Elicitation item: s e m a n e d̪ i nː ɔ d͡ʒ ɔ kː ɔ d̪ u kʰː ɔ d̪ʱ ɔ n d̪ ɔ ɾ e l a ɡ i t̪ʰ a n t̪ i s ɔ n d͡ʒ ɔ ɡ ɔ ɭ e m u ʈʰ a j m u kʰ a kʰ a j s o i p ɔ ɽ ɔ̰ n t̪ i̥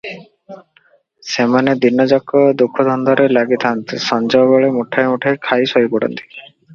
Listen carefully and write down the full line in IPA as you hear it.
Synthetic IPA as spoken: s e m a n e d̪ i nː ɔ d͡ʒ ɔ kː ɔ d̪ u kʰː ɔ d̪ʱ ɔ n d̪ ɔ ɾ e l a ɡ i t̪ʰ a n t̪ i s ɔ n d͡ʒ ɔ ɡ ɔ ɭ e m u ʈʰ a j m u ʈʰ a kʰ a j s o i p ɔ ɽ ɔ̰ n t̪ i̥

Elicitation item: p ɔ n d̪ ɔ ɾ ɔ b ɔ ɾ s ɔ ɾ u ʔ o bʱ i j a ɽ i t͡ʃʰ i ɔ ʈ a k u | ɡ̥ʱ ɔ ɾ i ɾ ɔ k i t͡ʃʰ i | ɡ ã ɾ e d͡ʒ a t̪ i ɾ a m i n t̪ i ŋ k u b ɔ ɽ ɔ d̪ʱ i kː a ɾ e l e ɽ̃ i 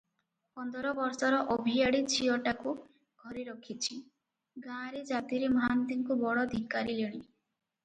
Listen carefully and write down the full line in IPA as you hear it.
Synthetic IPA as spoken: p ɔ n d̪ ɔ ɾ ɔ b ɔ ɾ s ɔ ɾ ɔ ʔ o bʱ i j a ɽ i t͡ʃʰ i ɔ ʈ a k u | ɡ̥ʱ ɔ ɾ i ɾ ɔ kʰ i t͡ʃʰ i | ɡ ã ɾ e d͡ʒ a t̪ i ɾ e m a n t̪ i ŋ k u b ɔ ɽ ɔ d̪ʱ i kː a ɾ i l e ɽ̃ i

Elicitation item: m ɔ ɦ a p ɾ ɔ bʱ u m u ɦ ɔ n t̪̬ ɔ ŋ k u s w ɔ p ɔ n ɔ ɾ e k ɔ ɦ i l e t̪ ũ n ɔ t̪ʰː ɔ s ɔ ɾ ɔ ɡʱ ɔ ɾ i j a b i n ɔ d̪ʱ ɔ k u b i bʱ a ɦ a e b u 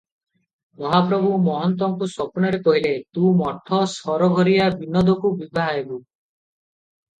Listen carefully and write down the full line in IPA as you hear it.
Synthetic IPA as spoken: m ɔ ɦ a p ɾ ɔ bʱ u m ɔ ɦ ɔ n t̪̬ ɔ ŋ k u s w ɔ p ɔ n ɔ ɾ e k ɔ ɦ i l e t̪ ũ m ɔ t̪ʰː ɔ s ɔ ɾ ɔ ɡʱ ɔ ɾ i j a b i n ɔ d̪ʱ ɔ k u b i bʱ a ɦ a e b u

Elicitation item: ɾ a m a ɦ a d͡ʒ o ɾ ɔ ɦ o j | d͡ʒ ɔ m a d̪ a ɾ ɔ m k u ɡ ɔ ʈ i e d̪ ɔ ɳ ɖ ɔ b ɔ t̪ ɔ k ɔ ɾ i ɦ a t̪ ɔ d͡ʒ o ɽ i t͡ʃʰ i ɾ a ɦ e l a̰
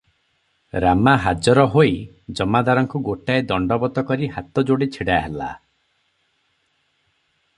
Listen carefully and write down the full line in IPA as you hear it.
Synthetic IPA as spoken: ɾ a m a ɦ a d͡ʒ ɔ ɾ ɔ ɦ o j | d͡ʒ ɔ m a d̪ a ɾ ɔ ŋ k u ɡ o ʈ a e d̪ ɔ ɳ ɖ ɔ b ɔ t̪ ɔ k ɔ ɾ i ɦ a t̪ ɔ d͡ʒ o ɽ i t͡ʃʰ i ɽ a ɦ e l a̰

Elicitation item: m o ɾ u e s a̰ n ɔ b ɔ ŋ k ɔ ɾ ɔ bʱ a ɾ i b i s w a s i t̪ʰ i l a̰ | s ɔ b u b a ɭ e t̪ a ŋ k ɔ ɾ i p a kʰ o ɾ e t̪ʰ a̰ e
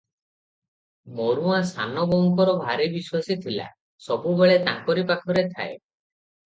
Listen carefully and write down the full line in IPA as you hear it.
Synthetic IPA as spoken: m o ɾ u a s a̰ n ɔ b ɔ ŋ k ɔ ɾ ɔ bʱ a ɾ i b i s w a s i t̪ʰ i l a̰ | s ɔ b u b e ɭ e t̪ a ŋ k ɔ ɾ i p a kʰ ɔ ɾ e t̪ʰ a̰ e

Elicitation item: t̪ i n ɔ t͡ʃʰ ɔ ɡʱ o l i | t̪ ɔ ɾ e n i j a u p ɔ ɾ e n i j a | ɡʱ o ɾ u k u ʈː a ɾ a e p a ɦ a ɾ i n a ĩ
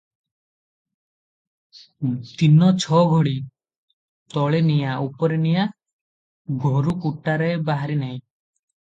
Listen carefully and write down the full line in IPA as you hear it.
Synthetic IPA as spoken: t̪ i n ɔ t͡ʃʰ ɔ ɡʱ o ɽ i | t̪ ɔ ɭ e n i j a u p ɔ ɾ e n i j a | ɡʱ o ɾ u k u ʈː a ɾ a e b a ɦ a ɾ i n a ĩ

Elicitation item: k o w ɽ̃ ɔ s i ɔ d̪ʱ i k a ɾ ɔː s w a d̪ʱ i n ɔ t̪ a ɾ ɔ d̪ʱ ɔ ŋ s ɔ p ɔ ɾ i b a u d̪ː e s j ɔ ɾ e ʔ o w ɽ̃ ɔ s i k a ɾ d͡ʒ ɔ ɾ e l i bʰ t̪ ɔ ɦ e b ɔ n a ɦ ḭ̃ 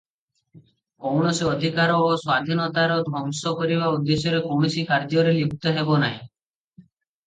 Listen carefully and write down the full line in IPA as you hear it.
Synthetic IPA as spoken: k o w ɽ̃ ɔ s i ɔ d̪ʱ i k a ɾ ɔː s w a d̪ʱ i n ɔ t̪ a ɾ ɔ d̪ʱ ɔ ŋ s ɔ k ɔ ɾ i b a u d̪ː e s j ɔ ɾ e k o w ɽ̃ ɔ s i k a ɾ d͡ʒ ɔ ɾ e l i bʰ t̪ ɔ ɦ e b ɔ n a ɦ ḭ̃

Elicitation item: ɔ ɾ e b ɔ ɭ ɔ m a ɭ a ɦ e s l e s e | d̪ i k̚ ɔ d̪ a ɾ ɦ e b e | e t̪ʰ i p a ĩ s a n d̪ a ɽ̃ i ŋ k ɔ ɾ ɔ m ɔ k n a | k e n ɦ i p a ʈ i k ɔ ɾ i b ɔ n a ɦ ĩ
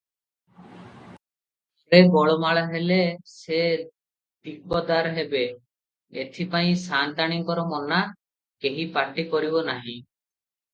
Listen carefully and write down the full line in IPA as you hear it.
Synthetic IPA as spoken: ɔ ɾ e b ɔ ɭ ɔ m a ɭ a ɦ e l e s e | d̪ i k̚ ɔ d̪ a ɾ ɦ e b e | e t̪ʰ i p a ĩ s a n t̪ a ɽ̃ i ŋ k ɔ ɾ ɔ m ɔ n a | k e ɦ i p a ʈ i k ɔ ɾ i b ɔ n a ɦ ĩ

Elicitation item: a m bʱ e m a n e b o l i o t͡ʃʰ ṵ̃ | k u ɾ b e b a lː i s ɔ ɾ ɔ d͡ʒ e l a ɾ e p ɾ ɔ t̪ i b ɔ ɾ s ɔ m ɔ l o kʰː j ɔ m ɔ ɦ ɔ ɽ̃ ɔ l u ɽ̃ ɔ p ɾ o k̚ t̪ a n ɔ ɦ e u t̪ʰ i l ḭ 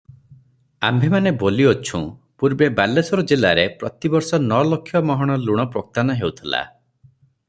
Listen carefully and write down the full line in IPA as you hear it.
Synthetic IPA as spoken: a m bʱ e m a n e b o l i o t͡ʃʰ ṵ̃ | p u ɾ b e b a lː e s ɔ ɾ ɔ d͡ʒ e l a ɾ e p ɾ ɔ t̪ i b ɔ ɾ s ɔ n ɔ l o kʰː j ɔ m ɔ ɦ ɔ ɽ̃ ɔ l u ɽ̃ ɔ p ɾ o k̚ t̪ a n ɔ ɦ e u t̪ʰ i l a̰

